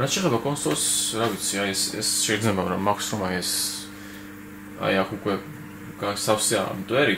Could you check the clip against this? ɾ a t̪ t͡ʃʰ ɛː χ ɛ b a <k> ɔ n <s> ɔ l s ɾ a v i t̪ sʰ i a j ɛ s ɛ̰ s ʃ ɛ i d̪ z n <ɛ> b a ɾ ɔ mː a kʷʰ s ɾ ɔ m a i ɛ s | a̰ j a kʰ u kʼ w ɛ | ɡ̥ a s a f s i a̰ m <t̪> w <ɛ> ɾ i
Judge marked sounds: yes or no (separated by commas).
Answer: no, yes, yes, no, yes